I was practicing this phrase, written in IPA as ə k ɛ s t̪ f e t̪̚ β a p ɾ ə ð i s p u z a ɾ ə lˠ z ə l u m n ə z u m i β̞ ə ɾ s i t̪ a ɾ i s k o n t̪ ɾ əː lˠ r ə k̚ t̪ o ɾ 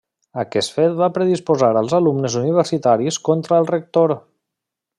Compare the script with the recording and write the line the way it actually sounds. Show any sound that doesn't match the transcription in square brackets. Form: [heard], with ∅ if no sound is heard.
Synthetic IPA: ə k ɛ s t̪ f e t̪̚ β a p ɾ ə ð i s p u z a ɾ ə lˠ z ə l u m n ə z u [n] i β̞ ə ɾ s i t̪ a ɾ i s k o n t̪ ɾ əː lˠ r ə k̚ t̪ o ɾ

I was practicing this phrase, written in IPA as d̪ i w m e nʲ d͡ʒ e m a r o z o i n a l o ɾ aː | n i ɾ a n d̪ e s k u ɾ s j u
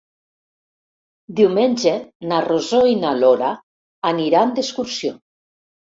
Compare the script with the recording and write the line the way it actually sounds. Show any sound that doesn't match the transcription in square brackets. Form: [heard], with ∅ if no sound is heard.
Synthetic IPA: d̪ i w m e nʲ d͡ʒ e [n] a r o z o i n a l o ɾ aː | n i ɾ a n d̪ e s k u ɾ s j [o]

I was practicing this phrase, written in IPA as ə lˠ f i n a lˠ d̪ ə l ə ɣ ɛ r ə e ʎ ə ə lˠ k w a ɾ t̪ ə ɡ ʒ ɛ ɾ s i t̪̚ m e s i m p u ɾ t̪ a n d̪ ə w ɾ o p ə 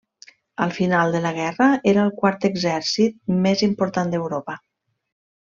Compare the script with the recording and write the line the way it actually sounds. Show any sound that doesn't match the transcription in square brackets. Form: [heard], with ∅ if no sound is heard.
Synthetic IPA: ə lˠ f i n a lˠ d̪ ə l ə ɣ ɛ r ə e [ɾ] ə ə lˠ k w a ɾ t̪ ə ɡ [z] ɛ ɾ s i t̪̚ m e [z] i m p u ɾ t̪ a n d̪ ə w ɾ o p ə

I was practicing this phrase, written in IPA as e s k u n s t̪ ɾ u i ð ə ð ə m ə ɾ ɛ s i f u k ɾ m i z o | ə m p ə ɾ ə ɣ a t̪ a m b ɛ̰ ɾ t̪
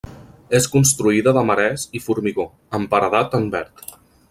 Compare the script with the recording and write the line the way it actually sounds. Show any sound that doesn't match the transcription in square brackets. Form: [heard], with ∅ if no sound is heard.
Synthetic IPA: e s k u n s t̪ ɾ u i ð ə ð ə m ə ɾ ɛ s i f u [∅] ɾ m i [ɣ] o | ə m p ə ɾ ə [ð] a t̪ [ə] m b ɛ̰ ɾ t̪

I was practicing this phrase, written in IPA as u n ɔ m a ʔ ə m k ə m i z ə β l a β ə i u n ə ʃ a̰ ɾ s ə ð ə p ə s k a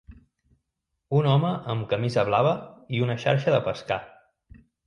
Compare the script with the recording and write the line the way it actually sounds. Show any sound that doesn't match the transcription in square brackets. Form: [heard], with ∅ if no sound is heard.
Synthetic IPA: u n ɔ m [ə] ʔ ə m k ə m i z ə β l a β ə i u n ə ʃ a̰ ɾ [ʃ] ə ð ə p ə s k a

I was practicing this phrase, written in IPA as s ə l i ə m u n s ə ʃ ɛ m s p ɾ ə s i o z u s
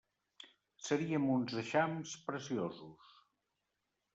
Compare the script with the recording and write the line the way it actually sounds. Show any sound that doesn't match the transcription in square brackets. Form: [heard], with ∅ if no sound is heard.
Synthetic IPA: s ə [ɾ] i ə m u n [z] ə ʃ [a] m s p ɾ ə s i o z u s

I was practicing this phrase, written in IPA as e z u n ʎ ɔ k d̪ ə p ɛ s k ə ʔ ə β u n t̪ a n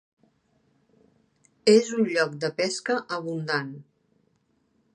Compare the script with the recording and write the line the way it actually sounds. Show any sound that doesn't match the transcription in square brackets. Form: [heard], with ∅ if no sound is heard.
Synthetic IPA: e z u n ʎ ɔ k d̪ ə p ɛ s k ə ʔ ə β u n [d̪] a n

